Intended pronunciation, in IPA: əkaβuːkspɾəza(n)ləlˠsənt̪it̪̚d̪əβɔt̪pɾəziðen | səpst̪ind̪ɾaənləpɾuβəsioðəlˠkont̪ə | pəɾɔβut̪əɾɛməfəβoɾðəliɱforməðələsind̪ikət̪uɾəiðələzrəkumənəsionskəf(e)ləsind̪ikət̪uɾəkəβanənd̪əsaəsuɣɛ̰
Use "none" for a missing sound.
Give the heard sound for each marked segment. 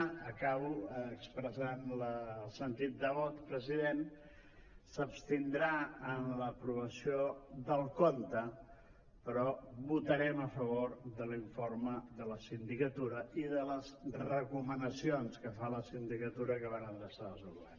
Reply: n, a

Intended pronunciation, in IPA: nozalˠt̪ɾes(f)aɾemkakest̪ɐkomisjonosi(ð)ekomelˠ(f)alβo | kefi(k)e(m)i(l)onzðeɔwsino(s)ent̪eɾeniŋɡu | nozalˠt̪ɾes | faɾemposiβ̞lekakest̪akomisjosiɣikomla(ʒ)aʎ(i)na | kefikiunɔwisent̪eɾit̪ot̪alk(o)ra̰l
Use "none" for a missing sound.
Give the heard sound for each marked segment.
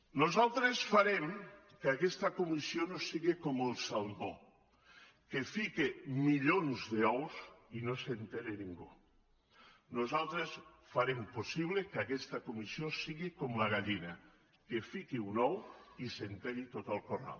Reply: f, ɣ, s, k, m, ʎ, s, ɣ, i, o

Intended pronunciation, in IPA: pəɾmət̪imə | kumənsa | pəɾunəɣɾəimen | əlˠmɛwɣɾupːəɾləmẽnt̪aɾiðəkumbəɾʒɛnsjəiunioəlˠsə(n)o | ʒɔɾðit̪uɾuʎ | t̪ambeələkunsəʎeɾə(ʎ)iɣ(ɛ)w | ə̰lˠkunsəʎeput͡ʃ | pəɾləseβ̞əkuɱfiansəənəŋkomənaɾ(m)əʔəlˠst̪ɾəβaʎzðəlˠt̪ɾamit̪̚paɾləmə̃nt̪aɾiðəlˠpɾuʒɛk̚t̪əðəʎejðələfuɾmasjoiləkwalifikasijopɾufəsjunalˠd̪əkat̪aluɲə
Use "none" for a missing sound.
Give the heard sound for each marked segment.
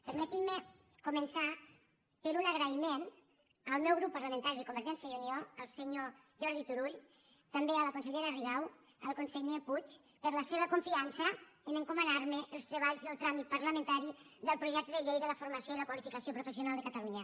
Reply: ɲ, r, a, m

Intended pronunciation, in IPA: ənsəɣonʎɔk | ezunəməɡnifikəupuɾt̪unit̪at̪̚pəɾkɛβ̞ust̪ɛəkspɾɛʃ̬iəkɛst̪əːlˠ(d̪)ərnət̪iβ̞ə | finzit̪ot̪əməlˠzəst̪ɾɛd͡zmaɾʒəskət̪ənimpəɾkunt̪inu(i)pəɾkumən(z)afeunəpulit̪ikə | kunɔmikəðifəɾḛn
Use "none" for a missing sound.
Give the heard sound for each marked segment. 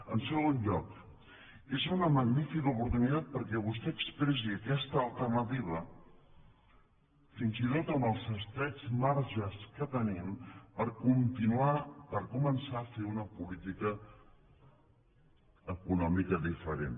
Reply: t̪, a, s

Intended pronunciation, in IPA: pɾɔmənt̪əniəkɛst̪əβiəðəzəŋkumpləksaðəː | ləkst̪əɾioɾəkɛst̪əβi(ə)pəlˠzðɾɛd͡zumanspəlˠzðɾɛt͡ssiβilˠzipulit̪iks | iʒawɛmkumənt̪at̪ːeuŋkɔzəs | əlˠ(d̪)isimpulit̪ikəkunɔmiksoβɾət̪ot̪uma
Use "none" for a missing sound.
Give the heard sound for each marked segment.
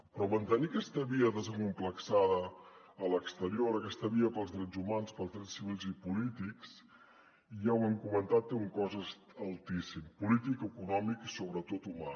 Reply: ə, t̪

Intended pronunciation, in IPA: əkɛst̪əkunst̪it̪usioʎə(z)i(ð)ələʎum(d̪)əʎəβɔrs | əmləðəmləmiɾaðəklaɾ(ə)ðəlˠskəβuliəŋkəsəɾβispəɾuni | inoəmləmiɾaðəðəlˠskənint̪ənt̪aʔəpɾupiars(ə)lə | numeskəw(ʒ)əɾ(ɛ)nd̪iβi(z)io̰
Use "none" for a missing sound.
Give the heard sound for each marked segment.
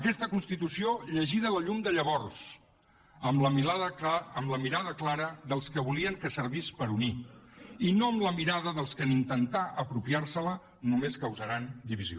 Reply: ʒ, ð, d̪, ə, ə, z, a, z

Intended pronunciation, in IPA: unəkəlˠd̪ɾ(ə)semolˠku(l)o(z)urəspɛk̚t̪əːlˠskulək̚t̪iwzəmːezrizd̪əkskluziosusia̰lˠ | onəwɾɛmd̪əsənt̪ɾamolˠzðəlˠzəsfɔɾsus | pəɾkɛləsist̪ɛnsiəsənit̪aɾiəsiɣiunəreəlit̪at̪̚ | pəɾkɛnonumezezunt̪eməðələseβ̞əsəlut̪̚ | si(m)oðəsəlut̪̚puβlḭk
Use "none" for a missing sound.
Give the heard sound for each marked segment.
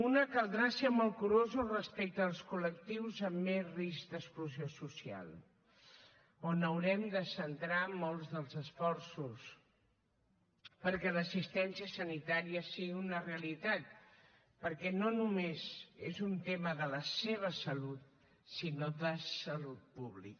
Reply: a, ɾ, z, n

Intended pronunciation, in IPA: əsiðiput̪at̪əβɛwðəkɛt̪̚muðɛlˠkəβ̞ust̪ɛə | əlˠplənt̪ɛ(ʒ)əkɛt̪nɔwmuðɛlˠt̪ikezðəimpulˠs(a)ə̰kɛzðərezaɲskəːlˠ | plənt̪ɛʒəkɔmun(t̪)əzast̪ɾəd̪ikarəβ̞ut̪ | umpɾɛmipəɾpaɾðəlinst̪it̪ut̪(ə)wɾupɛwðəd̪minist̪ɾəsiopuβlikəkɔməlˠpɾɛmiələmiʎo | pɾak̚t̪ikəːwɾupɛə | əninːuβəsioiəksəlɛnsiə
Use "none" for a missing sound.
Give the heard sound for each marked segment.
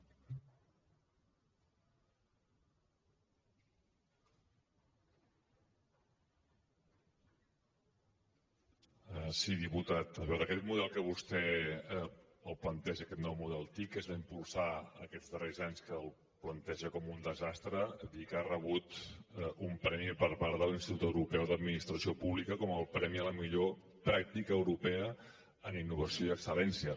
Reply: ʒ, a, d̪, ə

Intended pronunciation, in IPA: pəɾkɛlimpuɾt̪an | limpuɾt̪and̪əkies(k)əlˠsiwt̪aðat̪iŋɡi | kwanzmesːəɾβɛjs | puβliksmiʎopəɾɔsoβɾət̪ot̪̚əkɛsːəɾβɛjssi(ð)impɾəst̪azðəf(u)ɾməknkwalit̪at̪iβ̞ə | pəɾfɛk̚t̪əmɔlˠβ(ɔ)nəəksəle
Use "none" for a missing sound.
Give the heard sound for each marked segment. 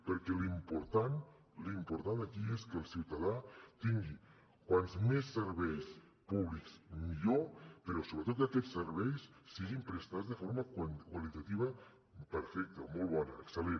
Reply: k, ɣ, o, ɔ

